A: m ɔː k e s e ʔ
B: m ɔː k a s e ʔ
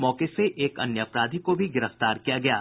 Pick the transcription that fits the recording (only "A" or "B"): A